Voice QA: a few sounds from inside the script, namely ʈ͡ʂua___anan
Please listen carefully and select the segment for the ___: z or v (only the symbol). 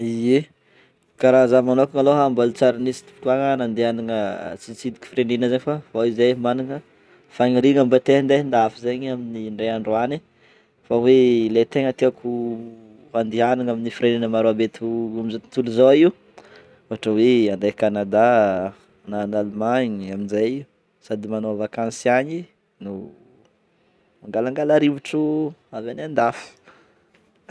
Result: v